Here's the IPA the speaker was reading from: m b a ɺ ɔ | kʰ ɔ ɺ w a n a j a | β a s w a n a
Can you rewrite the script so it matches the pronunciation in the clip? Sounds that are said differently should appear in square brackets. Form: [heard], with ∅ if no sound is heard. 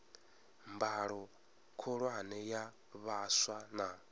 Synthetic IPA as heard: m b a ɺ ɔ | kʰ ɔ ɺ w a n [ɛ] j a | β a s w a n a